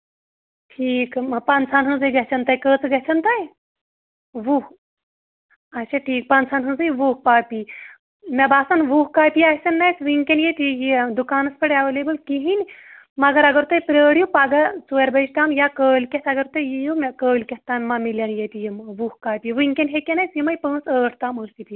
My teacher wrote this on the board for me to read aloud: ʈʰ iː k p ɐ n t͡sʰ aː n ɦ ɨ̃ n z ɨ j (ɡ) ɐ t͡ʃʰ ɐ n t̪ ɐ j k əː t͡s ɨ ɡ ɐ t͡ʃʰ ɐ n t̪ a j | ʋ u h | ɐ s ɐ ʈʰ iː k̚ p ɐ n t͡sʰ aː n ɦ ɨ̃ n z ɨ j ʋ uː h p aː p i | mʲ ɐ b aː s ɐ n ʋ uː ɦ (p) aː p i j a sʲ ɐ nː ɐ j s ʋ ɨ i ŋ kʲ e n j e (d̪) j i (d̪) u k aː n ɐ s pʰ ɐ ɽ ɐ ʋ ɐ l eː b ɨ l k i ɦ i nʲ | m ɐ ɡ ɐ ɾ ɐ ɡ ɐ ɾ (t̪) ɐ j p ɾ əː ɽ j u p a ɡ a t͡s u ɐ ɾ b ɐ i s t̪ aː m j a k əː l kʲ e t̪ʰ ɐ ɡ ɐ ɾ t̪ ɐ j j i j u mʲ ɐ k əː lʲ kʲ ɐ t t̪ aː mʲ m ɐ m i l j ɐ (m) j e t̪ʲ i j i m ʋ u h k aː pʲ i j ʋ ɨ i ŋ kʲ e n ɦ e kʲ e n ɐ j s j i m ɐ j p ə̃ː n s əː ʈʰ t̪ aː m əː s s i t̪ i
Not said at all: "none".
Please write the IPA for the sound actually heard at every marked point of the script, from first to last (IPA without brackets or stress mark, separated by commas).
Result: ɡ, k, t̪, d̪, t̪, n